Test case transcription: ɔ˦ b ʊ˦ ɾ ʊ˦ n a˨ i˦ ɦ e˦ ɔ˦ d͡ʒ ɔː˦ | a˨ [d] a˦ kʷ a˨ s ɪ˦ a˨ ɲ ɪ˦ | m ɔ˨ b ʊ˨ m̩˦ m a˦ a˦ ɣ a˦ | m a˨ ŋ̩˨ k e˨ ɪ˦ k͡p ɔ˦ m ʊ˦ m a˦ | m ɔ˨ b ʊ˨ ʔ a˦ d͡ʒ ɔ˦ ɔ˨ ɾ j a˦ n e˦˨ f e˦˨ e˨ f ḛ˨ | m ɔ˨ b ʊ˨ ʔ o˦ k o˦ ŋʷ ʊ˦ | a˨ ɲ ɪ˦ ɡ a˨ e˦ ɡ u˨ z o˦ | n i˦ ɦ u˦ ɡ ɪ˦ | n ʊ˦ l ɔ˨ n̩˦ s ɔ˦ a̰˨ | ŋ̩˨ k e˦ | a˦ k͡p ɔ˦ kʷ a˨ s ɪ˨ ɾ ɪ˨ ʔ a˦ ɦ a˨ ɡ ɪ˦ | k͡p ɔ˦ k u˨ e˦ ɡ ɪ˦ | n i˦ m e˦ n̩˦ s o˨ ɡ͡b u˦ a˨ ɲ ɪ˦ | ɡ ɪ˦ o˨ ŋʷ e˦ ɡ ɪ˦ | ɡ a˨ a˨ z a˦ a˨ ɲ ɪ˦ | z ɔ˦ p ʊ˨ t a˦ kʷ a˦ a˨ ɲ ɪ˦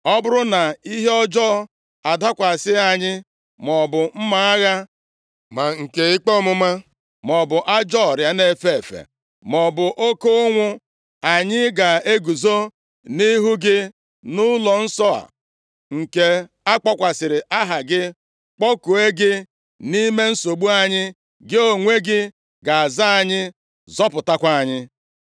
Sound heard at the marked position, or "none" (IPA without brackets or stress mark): d